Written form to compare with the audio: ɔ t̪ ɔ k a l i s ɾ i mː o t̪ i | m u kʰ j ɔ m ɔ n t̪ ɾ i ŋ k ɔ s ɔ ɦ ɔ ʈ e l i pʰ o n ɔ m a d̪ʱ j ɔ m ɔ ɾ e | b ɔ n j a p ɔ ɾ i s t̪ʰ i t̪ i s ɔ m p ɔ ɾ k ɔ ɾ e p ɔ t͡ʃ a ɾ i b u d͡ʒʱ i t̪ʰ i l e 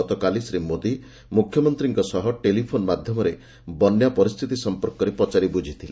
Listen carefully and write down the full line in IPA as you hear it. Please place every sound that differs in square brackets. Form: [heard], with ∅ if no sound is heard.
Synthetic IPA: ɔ t̪ ɔ k a l i s ɾ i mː o [d̪] i | m u kʰ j ɔ m ɔ n t̪ ɾ i ŋ k ɔ s ɔ ɦ ɔ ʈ e l i pʰ o n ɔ m a d̪ʱ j ɔ m ɔ ɾ e | b ɔ n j a p ɔ ɾ i s t̪ʰ i t̪ i s ɔ m p ɔ ɾ k ɔ ɾ e p ɔ t͡ʃ a ɾ i b u d͡ʒʱ i t̪ʰ i l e

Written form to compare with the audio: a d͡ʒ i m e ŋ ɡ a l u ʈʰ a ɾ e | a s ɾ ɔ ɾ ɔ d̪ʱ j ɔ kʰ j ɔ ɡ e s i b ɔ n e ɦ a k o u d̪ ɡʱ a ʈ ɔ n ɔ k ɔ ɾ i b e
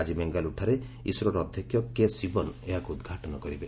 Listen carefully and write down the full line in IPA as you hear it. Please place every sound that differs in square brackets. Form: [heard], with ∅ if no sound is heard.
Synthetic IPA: a d͡ʒ i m e ŋ ɡ a l u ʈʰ a ɾ e | [i] s ɾ ɔ ɾ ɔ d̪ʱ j ɔ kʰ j ɔ [k] e s i b ɔ n e ɦ a k [u] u d̪ ɡʱ a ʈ ɔ n ɔ k ɔ ɾ i b e

